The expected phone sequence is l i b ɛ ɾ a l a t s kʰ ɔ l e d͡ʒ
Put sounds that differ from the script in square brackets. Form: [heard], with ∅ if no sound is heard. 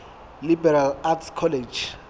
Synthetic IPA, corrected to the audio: l i b ɛ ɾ a l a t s kʰ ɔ l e d͡ʒ